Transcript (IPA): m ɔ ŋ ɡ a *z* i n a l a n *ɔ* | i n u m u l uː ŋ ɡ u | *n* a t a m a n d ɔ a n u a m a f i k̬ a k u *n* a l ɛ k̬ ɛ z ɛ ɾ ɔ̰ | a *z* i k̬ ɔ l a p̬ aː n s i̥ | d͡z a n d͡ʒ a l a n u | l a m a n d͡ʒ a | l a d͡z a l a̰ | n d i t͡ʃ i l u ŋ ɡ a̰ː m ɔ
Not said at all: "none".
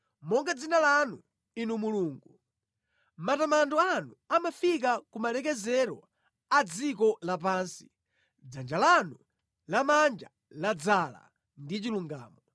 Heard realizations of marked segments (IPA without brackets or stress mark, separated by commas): d͡z, u, m, m, d͡z